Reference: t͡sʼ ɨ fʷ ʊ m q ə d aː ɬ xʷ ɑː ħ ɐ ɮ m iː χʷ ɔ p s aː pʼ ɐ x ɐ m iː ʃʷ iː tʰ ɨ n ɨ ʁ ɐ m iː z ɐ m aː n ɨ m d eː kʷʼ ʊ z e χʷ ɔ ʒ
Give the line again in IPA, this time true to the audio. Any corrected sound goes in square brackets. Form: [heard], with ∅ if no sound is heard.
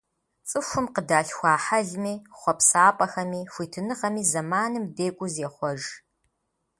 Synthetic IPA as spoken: t͡sʼ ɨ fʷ ʊ m q ə d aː ɬ xʷ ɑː ħ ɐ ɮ m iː χʷ ɔ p s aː pʼ ɐ x ɐ m iː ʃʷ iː tʰ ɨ n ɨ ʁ ɐ m iː z ɐ m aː n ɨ m d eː kʷʼ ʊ z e χʷ ɔ ʒ

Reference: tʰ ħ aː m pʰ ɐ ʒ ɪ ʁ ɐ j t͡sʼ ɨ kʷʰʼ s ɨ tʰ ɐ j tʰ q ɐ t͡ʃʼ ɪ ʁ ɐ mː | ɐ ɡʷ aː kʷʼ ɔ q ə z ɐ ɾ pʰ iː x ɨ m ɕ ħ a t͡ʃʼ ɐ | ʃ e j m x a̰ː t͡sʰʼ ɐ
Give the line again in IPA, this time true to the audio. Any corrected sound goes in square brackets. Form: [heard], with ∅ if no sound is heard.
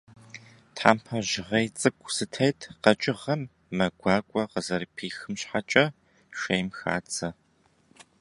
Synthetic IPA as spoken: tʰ ħ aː m pʰ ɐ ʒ ɪ ʁ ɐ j t͡sʼ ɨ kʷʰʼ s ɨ tʰ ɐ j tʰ q ɐ t͡ʃʼ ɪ ʁ ɐ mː | ɐ ɡʷ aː kʷʼ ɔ q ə z ɐ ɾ pʰ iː x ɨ m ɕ ħ a t͡ʃʼ ɐ | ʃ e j m x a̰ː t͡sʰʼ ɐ

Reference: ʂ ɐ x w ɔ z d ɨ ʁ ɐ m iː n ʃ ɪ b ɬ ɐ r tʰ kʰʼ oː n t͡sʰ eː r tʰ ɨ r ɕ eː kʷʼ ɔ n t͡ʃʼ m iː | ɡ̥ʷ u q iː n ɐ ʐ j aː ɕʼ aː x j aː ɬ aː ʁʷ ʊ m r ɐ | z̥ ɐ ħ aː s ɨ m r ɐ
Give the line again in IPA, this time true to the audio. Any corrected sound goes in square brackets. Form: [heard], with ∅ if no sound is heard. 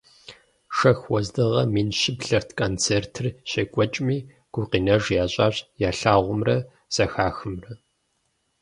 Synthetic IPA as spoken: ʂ ɐ x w ɔ z d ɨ ʁ ɐ m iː n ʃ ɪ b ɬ ɐ r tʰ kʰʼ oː n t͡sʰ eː r tʰ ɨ r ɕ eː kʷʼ ɔ [∅] t͡ʃʼ m iː | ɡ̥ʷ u q iː n ɐ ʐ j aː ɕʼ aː [ɕ] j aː ɬ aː ʁʷ ʊ m r ɐ | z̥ ɐ [x] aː [x] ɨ m r ɐ

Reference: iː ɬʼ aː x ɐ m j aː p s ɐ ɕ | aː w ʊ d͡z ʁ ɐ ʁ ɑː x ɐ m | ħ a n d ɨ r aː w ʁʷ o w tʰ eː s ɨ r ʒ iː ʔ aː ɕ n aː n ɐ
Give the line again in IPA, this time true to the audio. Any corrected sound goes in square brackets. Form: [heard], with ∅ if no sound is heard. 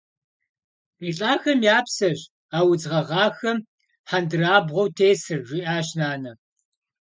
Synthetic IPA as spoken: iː ɬʼ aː x ɐ m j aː p s ɐ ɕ | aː w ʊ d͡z ʁ ɐ ʁ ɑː x ɐ m | ħ a n d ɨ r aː [b] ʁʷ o w tʰ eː s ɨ r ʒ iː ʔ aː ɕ n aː n ɐ

